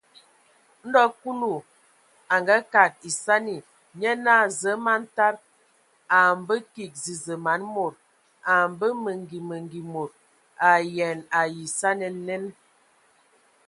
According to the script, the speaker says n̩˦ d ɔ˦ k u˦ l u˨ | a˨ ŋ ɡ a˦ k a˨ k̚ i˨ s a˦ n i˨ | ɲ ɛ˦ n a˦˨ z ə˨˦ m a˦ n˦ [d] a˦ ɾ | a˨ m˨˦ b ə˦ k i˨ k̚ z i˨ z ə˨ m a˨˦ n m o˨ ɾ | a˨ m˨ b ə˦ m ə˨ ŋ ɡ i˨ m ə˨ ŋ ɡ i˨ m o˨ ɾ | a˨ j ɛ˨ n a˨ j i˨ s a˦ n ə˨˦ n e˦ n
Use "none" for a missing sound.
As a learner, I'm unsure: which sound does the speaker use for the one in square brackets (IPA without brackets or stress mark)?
t